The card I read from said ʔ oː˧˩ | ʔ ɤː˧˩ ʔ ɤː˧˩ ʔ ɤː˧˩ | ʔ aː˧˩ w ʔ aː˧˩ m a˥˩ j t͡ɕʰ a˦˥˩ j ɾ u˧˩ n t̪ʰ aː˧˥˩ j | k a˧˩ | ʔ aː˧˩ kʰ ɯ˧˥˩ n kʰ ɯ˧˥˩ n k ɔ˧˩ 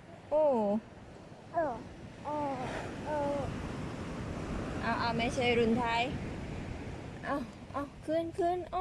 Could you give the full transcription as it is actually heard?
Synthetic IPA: ʔ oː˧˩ | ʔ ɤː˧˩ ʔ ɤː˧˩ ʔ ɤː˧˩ | ʔ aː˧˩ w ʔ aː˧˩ m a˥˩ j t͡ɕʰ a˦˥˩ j ɾ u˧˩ n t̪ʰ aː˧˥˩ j | ʔ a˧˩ | ʔ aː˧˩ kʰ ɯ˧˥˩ n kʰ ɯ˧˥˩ n ʔ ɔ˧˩